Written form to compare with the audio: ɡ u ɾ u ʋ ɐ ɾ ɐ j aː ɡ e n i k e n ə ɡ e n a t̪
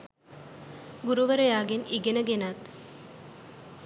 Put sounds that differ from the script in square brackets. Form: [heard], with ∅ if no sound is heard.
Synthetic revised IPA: ɡ u ɾ u ʋ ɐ ɾ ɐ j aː ɡ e n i [ɡ] e n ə ɡ e n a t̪